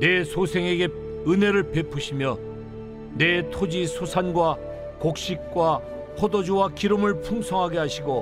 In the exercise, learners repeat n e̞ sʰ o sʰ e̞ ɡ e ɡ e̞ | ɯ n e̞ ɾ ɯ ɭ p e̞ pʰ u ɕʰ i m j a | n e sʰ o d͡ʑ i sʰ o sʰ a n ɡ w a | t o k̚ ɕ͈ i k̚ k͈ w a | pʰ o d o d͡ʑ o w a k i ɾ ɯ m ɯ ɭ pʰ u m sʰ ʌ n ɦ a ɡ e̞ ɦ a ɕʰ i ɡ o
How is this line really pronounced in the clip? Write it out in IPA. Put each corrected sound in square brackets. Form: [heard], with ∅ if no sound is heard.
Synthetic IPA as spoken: n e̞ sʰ o sʰ e̞ [ŋ] e ɡ e̞ | ɯ n e̞ ɾ ɯ ɭ p e̞ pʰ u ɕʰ i m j [ʌ] | n e [tʰ] o d͡ʑ i sʰ o sʰ a n ɡ w a | [k] o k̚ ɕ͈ i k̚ k͈ w a | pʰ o d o d͡ʑ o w a k i ɾ ɯ m ɯ ɭ pʰ u m sʰ ʌ [ŋ] ɦ a ɡ e̞ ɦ a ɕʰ i ɡ o